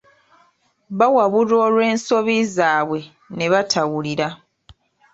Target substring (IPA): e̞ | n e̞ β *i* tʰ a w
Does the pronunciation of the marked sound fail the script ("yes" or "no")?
yes